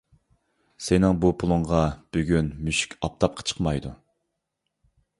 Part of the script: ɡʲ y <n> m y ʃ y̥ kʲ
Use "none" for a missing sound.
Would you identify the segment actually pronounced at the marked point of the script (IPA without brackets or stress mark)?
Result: n